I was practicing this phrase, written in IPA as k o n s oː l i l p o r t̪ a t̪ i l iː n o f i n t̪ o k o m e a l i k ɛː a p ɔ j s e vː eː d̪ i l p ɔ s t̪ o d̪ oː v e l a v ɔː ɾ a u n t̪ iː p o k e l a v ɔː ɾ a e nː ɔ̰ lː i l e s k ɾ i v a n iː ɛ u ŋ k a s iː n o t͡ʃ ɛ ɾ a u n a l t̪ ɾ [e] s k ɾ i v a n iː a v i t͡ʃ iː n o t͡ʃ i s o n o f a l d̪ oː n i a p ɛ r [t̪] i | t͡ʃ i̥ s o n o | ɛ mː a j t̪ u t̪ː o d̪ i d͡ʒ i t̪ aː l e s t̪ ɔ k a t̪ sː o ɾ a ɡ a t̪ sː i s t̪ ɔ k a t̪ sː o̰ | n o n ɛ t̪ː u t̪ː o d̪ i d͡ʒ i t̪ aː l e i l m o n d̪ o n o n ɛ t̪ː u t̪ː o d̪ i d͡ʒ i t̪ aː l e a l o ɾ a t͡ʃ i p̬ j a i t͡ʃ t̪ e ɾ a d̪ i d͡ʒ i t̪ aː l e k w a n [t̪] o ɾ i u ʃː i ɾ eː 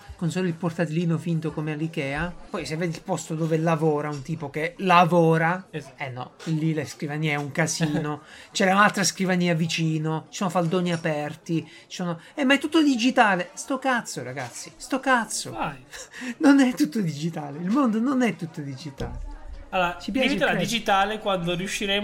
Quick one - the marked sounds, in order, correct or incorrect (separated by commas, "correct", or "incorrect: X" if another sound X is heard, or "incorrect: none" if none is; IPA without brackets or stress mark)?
incorrect: a, correct, incorrect: d̪